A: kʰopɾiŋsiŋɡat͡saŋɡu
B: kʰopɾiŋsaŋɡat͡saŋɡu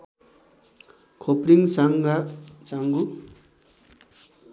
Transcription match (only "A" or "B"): B